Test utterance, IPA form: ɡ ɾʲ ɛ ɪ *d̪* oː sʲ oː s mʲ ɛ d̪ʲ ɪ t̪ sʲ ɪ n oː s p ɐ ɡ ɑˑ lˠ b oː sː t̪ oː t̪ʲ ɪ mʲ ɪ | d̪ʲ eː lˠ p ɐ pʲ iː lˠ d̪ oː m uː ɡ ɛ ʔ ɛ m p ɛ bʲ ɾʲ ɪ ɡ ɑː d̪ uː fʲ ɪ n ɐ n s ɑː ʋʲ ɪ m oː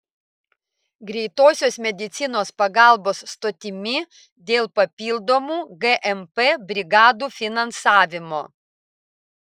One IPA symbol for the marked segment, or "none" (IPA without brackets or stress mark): t̪